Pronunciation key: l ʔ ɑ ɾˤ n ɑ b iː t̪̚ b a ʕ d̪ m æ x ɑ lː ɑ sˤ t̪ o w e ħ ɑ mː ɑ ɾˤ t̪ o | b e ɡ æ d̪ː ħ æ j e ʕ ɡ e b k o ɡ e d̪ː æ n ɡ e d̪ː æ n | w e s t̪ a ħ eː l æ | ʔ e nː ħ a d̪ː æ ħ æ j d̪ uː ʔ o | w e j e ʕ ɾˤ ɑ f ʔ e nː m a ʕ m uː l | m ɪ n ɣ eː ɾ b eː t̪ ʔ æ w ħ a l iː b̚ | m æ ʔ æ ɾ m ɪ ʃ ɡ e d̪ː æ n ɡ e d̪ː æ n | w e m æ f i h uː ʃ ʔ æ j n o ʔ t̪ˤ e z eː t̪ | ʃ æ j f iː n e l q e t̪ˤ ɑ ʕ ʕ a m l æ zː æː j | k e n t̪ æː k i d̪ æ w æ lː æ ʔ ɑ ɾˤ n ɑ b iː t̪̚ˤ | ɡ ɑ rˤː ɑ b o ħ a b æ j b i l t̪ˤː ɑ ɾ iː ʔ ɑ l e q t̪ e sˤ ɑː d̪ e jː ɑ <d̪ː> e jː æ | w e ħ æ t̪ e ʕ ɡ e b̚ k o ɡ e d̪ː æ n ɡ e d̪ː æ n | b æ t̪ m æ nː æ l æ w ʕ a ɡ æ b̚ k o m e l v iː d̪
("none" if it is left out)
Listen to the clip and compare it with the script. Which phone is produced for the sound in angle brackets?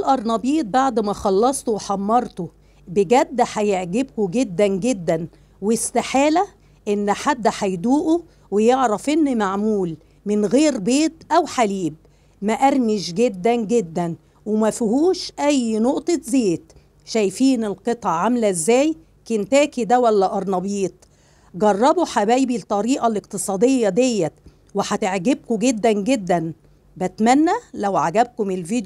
d̪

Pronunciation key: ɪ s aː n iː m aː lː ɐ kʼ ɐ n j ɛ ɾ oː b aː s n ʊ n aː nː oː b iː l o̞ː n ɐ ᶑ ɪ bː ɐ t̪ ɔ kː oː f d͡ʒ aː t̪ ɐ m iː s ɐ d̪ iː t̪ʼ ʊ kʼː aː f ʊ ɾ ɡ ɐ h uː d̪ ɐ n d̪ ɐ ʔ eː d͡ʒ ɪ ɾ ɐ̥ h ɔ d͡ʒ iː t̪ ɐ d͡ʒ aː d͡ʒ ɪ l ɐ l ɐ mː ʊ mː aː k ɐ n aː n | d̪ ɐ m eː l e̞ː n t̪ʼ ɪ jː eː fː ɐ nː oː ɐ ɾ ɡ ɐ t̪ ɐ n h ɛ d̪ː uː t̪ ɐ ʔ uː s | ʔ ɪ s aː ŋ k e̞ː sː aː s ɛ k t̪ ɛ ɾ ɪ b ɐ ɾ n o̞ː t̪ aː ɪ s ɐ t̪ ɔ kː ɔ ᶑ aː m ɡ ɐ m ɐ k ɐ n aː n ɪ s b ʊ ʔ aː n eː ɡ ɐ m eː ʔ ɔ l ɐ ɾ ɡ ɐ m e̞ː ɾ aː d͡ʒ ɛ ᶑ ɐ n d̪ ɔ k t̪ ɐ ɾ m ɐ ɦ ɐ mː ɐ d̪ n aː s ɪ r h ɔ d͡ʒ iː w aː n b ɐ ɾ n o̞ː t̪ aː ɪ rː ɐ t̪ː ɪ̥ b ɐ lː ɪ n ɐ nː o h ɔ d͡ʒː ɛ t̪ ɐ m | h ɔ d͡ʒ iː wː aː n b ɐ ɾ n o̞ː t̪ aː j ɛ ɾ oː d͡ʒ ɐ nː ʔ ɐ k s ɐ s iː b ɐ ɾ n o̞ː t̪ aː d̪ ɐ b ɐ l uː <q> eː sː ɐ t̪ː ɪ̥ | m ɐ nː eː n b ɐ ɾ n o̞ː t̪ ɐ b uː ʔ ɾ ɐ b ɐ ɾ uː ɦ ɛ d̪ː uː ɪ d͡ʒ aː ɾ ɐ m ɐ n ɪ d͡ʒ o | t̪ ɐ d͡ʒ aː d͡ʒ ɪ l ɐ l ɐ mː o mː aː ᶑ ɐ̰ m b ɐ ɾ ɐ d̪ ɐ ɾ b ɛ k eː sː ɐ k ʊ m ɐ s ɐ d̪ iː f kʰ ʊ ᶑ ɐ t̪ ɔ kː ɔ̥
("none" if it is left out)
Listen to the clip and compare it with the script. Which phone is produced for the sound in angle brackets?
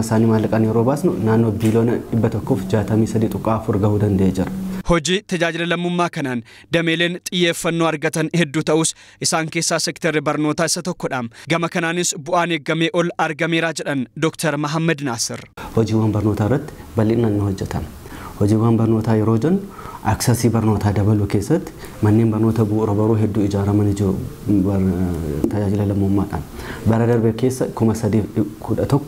k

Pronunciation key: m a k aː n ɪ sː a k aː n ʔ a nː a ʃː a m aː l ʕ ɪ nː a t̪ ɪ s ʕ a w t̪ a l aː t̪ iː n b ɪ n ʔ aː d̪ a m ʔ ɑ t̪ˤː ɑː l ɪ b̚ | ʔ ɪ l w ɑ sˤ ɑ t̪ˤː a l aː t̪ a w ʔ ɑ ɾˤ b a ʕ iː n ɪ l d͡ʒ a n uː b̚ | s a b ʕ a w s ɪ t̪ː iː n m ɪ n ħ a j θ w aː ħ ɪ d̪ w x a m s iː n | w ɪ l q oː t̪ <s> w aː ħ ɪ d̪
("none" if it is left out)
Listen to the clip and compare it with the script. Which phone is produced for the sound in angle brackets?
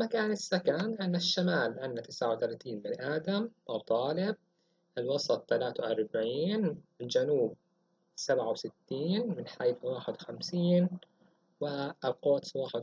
s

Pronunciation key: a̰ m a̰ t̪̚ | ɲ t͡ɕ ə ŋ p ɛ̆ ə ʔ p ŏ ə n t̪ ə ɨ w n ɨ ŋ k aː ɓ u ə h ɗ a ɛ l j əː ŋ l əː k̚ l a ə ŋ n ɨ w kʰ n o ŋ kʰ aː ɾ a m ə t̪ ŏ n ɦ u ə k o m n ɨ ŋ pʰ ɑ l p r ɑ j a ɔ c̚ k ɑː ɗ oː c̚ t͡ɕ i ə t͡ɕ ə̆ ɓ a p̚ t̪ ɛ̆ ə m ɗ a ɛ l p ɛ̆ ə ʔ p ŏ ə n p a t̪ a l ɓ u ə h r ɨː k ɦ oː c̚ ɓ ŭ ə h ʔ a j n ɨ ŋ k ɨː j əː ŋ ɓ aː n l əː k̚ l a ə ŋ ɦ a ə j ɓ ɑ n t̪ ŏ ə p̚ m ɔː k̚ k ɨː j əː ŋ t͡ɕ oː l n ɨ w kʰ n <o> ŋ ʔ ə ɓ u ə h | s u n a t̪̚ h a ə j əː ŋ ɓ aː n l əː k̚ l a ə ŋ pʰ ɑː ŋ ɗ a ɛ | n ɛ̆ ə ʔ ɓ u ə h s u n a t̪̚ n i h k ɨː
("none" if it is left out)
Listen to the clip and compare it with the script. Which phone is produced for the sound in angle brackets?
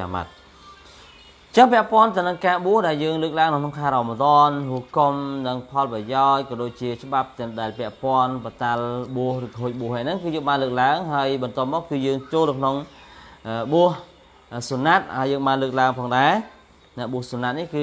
o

